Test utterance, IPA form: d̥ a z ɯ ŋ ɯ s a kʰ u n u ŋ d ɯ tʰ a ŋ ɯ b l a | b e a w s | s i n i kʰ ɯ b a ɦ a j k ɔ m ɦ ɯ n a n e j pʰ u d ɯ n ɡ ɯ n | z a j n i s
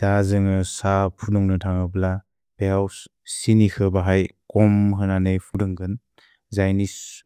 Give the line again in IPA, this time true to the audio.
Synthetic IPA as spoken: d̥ a z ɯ ŋ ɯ s a pʰ u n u ŋ n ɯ tʰ a ŋ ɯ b l a | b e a w s | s i n i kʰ ɯ b a ɦ a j k ɔ m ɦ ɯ n a n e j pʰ u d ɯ ŋ ɡ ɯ n | z a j n i s